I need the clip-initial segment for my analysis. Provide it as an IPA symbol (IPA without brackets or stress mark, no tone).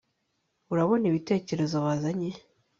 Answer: u